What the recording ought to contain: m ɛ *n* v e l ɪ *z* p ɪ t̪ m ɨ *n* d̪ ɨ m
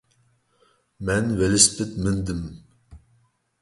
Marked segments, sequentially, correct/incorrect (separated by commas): correct, incorrect, correct